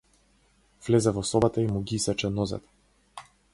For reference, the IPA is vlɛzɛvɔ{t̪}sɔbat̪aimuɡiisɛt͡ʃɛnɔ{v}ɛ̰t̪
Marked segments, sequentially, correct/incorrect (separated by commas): incorrect, incorrect